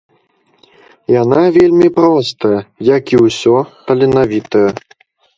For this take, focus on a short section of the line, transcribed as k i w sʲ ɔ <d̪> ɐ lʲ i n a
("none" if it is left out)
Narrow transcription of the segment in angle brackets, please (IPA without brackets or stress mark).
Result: t̪